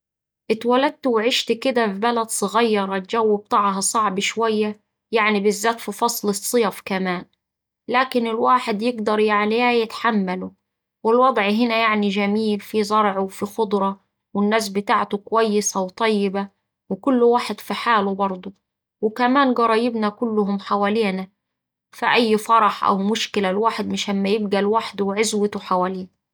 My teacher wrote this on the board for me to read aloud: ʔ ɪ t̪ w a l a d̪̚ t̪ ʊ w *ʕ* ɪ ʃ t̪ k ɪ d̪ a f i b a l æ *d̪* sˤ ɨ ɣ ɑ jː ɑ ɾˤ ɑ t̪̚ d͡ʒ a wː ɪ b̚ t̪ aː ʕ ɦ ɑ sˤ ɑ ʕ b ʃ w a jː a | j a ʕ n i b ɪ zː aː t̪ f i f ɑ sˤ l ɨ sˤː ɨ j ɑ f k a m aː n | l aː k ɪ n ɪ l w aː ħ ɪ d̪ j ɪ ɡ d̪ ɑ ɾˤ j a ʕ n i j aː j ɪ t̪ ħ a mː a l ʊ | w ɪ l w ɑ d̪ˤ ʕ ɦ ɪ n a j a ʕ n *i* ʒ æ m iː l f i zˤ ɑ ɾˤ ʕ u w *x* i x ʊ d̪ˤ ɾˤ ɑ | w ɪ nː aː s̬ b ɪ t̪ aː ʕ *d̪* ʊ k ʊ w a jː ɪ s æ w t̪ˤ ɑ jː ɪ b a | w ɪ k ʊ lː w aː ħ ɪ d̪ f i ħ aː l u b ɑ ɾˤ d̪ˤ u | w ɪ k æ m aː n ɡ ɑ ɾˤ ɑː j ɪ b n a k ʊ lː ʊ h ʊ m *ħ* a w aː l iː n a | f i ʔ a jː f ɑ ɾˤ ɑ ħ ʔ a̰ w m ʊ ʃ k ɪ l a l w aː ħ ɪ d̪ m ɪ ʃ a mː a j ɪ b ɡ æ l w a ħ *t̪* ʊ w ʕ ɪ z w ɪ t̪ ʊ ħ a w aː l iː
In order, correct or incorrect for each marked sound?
correct, correct, correct, incorrect, incorrect, correct, incorrect

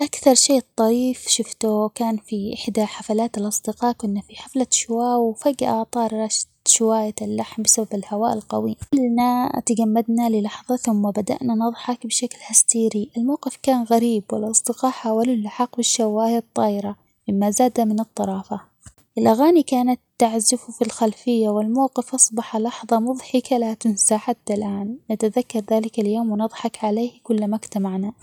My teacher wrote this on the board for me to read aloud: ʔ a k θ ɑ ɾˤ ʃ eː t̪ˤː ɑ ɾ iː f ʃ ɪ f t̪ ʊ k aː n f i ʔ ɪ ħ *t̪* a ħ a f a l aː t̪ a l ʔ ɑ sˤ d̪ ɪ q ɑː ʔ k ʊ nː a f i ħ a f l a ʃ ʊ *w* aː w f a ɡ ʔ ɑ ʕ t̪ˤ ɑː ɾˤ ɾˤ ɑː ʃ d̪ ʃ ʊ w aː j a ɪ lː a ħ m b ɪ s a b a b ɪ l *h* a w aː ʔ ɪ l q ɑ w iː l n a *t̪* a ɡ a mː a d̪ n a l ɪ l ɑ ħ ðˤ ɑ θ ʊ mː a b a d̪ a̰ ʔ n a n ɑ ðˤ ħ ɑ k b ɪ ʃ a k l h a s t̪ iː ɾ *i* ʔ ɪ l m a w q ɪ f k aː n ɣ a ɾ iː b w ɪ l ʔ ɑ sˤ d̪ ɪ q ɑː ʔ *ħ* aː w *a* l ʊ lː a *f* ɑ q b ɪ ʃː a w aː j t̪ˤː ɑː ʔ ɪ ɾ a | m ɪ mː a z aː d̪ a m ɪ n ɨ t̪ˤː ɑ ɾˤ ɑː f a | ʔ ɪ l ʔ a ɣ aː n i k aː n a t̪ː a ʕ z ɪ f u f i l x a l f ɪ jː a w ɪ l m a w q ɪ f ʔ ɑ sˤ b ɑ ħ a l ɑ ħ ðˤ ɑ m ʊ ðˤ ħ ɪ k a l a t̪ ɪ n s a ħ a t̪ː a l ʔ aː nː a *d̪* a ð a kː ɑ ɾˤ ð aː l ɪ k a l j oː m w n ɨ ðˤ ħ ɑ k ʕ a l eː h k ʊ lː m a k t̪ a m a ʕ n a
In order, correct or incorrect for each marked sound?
incorrect, correct, correct, correct, correct, correct, correct, incorrect, incorrect

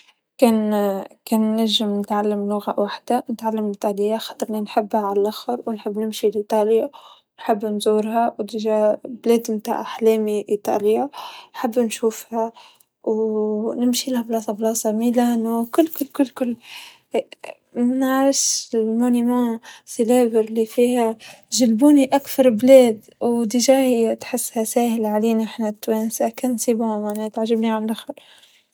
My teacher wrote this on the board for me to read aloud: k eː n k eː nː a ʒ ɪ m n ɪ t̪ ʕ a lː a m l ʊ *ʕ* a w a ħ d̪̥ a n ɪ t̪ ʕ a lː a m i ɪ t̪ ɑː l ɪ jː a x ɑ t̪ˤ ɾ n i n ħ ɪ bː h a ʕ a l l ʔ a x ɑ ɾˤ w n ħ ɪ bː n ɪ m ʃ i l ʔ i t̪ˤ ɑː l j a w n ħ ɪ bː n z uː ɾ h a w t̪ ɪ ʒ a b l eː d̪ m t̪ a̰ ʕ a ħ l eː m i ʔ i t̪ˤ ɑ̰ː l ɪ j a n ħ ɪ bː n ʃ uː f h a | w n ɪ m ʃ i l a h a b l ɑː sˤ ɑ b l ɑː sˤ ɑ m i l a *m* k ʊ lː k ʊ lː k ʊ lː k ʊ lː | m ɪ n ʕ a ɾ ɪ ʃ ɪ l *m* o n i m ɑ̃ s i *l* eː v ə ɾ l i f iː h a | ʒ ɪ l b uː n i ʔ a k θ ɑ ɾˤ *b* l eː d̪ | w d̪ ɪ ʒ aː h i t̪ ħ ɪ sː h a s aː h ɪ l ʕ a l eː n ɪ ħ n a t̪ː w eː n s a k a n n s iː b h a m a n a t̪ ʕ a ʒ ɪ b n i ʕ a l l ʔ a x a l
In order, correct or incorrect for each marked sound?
incorrect, incorrect, correct, correct, correct

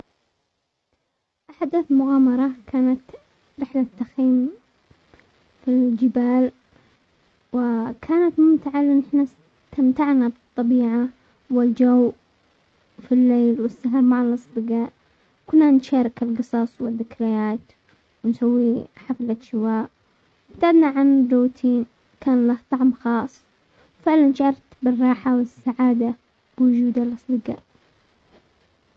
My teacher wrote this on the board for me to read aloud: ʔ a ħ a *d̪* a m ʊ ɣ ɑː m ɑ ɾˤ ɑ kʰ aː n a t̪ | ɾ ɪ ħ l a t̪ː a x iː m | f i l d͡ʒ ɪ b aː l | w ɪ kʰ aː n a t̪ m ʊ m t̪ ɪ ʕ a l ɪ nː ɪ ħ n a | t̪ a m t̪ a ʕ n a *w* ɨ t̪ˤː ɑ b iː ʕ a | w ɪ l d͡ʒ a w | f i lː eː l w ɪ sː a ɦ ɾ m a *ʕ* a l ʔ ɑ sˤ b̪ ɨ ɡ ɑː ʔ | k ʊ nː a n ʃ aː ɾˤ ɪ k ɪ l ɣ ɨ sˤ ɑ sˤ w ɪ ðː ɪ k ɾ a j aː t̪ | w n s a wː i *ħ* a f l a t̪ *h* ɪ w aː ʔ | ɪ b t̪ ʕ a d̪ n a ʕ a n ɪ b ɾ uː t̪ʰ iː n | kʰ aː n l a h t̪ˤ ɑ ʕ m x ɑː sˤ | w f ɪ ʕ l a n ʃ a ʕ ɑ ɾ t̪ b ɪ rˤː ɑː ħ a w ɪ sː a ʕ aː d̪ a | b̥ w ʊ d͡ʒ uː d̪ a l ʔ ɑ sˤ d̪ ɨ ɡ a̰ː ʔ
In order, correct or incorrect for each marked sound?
correct, incorrect, correct, correct, incorrect

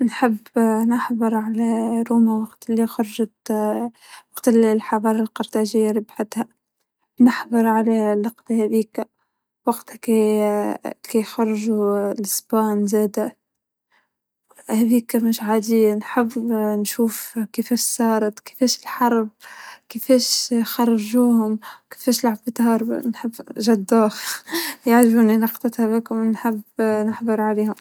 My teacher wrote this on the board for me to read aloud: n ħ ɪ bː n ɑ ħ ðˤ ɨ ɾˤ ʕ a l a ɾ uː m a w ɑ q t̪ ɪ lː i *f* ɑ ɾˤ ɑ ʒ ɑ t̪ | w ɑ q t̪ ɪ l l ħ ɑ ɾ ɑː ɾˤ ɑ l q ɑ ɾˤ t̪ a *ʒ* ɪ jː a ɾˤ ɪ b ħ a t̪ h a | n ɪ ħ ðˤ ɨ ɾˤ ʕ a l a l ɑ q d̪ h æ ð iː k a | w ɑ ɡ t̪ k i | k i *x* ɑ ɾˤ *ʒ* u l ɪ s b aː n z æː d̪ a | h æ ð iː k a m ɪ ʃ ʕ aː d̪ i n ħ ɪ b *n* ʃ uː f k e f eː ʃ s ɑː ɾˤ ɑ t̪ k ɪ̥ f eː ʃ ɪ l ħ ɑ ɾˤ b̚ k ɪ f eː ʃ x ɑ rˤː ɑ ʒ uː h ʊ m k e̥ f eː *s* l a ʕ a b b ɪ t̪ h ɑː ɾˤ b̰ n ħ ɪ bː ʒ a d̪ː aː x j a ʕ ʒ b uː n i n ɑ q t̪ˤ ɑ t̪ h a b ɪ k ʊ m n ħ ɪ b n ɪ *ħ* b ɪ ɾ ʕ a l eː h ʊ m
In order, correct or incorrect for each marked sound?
incorrect, correct, correct, correct, correct, incorrect, correct

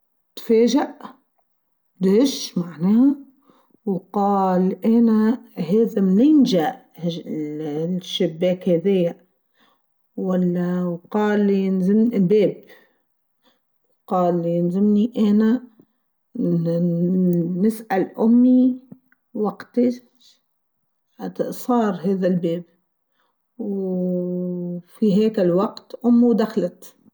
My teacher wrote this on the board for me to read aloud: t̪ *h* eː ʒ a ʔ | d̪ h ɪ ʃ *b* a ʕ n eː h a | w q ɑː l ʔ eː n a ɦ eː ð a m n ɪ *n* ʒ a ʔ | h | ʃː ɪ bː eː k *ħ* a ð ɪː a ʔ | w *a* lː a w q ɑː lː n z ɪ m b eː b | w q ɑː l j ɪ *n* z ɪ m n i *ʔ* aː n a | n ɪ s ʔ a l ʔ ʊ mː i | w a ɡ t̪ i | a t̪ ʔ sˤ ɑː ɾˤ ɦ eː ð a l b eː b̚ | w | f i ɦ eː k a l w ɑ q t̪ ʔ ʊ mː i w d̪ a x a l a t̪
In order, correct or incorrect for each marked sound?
incorrect, incorrect, correct, incorrect, correct, correct, correct

